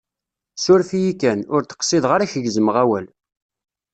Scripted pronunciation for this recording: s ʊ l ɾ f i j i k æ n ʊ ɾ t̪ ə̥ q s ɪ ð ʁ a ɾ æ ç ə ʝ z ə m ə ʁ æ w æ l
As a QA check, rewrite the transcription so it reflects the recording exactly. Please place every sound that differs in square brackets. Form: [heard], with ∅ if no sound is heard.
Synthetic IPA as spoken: s ʊ [∅] ɾ f i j i k æ n ʊ ɾ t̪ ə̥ q s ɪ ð ʁ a ɾ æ ç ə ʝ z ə m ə ʁ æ w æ l